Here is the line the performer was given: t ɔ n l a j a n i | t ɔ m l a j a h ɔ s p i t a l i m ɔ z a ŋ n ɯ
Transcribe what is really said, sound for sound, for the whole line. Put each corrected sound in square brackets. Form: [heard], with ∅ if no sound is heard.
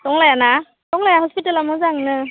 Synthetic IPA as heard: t ɔ [ŋ] l a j a n [a] | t ɔ [ŋ] l a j a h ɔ s p i t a l [a] m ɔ z a ŋ n ɯ